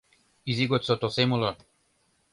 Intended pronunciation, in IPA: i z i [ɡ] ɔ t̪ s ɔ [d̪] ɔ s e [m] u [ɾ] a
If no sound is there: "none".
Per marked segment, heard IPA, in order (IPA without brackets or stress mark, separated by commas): ɡ, t̪, m, l